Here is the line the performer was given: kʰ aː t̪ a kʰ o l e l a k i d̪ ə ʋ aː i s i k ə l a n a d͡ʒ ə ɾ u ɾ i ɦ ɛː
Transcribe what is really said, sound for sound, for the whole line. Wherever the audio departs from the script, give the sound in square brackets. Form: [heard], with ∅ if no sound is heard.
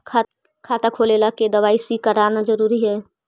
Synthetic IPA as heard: kʰ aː t̪ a kʰ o l e l a k [e] d̪ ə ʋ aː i s i k ə [ɾ] a n a d͡ʒ ə ɾ u ɾ i ɦ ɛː